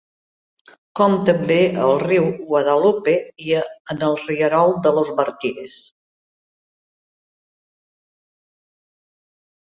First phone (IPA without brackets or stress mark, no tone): k